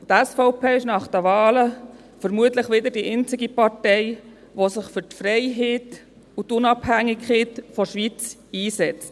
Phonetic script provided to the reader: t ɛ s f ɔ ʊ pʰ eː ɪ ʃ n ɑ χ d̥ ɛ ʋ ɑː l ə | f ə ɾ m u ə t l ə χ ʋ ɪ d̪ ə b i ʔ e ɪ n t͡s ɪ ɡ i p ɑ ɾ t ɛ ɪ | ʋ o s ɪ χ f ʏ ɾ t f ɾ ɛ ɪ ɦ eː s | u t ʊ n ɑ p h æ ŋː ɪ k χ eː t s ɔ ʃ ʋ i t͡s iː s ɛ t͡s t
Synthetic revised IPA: t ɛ s f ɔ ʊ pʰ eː ɪ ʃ n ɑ χ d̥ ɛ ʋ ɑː l ə | f ə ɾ m u ə t l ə χ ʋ ɪ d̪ ə d i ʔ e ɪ n t͡s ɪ ɡ i p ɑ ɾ t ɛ ɪ | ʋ o s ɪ χ f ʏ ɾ t f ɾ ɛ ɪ ɦ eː t | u t ʊ n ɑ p h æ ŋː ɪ k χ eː t f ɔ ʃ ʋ i t͡s iː s ɛ t͡s t